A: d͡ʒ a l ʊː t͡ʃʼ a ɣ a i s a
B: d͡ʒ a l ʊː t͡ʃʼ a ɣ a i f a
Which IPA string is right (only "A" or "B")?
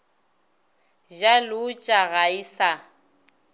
A